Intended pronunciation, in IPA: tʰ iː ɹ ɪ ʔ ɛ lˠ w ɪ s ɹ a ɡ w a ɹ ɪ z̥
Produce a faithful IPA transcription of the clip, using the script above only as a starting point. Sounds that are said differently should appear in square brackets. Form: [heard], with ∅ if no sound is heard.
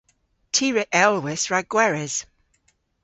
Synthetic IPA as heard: tʰ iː ɹ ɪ ʔ ɛ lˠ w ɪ s ɹ a ɡ w [ɛ] ɹ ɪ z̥